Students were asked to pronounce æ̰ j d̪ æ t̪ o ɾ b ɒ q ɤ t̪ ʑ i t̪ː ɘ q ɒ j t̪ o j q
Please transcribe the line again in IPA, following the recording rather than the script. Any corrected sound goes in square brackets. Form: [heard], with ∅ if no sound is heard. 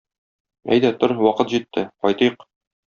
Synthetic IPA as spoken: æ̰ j d̪ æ t̪ o ɾ [w] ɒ q ɤ t̪ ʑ i t̪ː ɘ q ɒ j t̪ [ɤ] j q